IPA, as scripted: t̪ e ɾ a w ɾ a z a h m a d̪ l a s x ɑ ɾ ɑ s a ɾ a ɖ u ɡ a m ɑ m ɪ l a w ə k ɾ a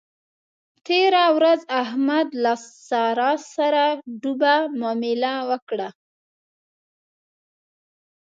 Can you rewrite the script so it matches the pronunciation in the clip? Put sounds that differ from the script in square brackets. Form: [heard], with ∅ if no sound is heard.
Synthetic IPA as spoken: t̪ e ɾ a w ɾ a z a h m a d̪ l a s [s] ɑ ɾ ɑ s a ɾ a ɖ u [b] a m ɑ m ɪ l a w ə k [ɽ] a